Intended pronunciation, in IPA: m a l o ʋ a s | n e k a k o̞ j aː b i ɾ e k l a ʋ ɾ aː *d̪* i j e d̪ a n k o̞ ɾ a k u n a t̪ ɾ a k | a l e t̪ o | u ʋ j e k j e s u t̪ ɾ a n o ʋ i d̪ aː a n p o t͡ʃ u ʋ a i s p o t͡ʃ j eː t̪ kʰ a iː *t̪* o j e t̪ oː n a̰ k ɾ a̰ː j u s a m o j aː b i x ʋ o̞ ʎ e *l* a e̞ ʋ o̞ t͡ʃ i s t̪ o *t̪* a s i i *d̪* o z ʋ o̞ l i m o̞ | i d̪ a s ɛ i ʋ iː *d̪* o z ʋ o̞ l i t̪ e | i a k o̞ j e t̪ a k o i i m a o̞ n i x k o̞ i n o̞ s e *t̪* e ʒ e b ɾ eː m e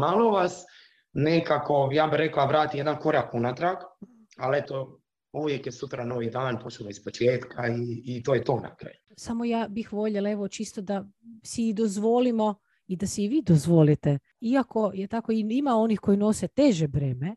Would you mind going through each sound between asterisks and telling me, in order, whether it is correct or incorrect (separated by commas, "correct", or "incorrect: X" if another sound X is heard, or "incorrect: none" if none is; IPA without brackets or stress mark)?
incorrect: t̪, correct, correct, incorrect: d̪, correct, correct, correct